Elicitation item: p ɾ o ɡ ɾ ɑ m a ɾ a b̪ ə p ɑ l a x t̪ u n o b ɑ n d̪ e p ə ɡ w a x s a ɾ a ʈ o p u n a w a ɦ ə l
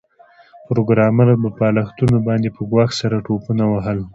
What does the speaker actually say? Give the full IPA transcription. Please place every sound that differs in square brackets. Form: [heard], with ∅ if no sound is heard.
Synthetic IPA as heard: p ɾ o ɡ ɾ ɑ m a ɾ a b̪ ə p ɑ l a x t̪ u n o b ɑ n d̪ e p ə ɡ w [ɑ] x s a ɾ a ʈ o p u n a w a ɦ ə l